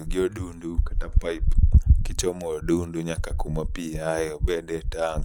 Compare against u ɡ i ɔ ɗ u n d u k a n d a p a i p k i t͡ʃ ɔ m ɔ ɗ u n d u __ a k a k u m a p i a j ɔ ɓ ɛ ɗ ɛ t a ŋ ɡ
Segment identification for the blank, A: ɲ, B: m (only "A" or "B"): A